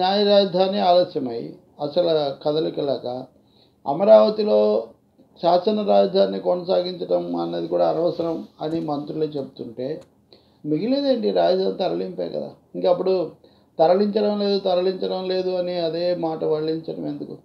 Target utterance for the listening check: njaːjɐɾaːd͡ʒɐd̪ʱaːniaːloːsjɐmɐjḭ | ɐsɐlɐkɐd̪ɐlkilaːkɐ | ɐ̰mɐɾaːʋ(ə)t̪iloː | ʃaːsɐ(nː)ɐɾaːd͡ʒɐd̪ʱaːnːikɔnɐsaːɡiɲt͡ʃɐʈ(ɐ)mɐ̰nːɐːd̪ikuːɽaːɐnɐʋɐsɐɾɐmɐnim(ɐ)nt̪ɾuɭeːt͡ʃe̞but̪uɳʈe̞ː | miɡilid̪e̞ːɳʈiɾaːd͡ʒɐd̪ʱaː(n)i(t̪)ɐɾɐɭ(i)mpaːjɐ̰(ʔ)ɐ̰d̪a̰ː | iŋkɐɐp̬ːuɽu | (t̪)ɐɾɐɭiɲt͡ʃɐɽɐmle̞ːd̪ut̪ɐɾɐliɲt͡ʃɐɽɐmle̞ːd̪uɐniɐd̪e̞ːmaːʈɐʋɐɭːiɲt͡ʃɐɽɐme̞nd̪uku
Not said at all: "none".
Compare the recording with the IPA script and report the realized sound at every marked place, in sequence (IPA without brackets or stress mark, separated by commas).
ɐ, n, ɐ, ɐ, n, t̪, i, k, t̪